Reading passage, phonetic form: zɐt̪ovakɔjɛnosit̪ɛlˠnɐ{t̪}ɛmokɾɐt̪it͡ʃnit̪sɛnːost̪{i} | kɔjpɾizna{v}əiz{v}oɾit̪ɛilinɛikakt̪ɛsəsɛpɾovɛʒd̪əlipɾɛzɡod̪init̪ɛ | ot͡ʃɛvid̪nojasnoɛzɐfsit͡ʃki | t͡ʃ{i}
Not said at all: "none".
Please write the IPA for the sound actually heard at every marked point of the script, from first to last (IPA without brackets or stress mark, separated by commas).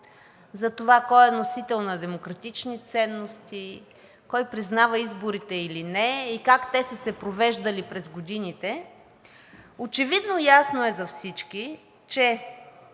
d̪, i, v, b, ɛ